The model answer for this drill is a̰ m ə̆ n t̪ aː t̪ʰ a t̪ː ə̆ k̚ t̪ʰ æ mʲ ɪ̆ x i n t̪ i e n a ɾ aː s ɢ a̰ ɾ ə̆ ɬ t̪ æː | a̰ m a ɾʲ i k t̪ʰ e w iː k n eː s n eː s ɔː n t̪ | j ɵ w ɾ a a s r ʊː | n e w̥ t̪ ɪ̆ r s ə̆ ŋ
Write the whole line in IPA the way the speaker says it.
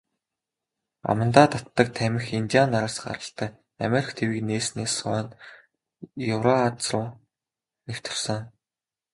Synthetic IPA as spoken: a̰ m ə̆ n t̪ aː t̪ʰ a t̪ː ə̆ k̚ t̪ʰ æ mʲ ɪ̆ x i n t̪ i a n a ɾ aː s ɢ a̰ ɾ ə̆ ɬ t̪ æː | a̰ m e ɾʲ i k t̪ʰ e w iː k n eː s n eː s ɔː n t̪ | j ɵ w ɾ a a t͡s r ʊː | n e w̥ t̪ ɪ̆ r s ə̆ ŋ